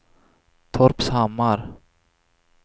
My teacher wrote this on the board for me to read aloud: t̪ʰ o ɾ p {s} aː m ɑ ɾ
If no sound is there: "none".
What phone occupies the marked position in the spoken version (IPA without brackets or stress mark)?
s